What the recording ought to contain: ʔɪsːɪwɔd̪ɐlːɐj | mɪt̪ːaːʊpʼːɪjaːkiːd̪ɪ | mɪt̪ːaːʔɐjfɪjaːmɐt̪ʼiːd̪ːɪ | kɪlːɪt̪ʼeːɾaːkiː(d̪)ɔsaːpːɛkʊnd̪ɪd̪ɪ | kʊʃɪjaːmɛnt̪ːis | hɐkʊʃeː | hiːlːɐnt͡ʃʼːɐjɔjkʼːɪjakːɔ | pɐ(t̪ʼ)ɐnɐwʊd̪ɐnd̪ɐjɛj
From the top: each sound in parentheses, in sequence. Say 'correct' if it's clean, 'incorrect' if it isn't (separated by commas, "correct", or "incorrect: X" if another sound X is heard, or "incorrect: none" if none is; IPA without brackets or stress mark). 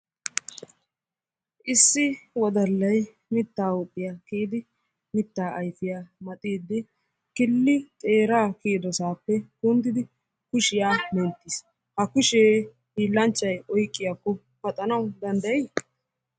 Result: correct, correct